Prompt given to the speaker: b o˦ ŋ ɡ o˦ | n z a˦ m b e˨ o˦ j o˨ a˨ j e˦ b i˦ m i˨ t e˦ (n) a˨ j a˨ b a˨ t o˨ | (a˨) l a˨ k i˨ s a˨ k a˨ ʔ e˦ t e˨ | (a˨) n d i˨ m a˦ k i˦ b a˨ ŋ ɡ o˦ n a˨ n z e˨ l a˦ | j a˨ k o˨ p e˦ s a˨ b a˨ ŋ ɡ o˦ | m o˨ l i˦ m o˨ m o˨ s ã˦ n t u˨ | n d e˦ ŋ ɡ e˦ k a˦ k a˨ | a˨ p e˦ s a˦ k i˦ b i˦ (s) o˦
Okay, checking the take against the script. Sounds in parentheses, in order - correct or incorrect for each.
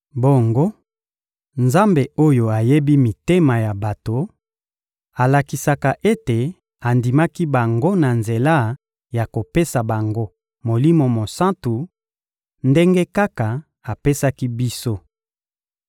incorrect: m, correct, correct, correct

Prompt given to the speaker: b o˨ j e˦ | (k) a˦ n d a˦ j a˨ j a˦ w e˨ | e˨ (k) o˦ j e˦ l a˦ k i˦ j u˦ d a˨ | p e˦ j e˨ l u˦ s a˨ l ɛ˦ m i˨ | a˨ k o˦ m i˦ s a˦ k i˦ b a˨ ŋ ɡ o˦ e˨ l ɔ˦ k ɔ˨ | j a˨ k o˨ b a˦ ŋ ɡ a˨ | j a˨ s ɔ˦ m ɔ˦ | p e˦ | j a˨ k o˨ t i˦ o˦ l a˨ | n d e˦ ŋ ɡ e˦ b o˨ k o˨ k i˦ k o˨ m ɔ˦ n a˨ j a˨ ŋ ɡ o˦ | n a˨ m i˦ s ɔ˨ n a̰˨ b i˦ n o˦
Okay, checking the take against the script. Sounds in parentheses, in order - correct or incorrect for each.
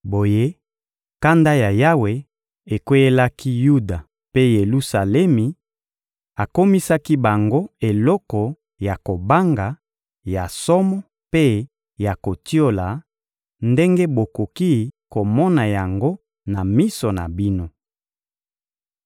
correct, correct

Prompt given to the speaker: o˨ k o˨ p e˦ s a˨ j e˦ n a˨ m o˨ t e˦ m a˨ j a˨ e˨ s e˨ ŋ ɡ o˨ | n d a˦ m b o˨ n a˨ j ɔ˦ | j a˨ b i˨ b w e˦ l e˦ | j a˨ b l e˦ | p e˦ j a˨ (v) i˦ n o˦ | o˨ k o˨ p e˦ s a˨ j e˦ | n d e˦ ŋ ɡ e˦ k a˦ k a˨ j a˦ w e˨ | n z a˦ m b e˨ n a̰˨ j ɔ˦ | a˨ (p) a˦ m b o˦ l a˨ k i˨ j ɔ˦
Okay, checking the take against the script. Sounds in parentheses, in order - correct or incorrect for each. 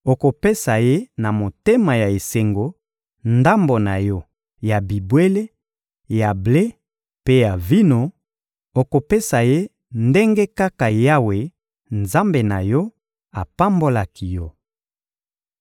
correct, correct

